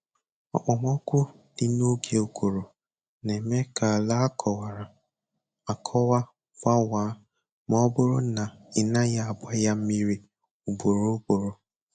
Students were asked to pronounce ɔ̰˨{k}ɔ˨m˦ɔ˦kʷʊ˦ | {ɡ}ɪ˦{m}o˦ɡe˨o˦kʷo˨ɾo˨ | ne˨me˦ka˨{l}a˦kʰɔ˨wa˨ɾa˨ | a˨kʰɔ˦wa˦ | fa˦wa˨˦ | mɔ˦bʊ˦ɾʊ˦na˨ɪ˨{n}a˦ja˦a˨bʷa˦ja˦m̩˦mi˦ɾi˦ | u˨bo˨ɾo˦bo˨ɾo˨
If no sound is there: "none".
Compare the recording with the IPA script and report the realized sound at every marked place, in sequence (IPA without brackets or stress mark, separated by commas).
k͡p, d, n, l, n